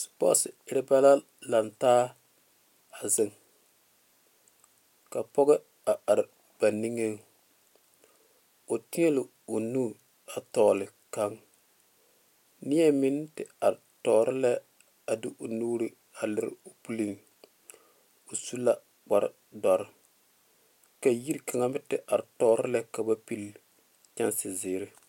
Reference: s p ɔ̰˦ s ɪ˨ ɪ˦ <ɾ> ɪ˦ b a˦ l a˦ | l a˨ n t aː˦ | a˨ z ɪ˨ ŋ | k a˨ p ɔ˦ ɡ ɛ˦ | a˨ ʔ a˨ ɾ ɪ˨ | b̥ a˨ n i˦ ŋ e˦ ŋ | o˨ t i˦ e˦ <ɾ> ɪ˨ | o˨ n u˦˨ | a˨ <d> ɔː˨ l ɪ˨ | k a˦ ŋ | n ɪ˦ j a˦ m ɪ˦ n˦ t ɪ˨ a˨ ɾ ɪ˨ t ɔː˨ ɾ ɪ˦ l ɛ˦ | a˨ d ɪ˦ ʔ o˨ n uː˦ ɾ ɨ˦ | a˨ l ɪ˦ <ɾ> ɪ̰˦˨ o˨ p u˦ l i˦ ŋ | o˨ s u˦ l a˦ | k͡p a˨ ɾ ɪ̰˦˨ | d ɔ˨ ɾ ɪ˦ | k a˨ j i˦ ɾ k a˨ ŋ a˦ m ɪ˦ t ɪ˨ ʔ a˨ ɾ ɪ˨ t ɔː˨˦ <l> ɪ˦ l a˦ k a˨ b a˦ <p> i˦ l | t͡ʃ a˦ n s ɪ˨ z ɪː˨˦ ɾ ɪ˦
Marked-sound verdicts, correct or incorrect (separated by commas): correct, incorrect, incorrect, correct, incorrect, correct